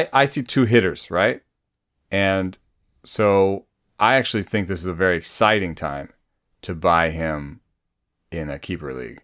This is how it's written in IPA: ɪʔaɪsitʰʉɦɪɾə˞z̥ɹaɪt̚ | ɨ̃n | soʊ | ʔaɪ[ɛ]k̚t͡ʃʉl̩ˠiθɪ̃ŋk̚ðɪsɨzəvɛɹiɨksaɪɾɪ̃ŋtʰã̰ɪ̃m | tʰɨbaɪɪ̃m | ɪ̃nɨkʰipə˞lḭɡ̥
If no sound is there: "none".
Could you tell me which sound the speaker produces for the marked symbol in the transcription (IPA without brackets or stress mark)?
æ